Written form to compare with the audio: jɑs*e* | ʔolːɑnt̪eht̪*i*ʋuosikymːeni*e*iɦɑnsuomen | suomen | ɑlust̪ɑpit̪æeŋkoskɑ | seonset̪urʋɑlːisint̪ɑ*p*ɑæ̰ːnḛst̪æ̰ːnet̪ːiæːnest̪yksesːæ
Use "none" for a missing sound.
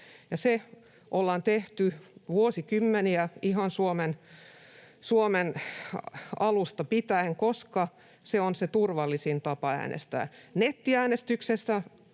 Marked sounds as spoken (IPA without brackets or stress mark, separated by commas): e, y, æ, p